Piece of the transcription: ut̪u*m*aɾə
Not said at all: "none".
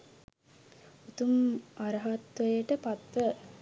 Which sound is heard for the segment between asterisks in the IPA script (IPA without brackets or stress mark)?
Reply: m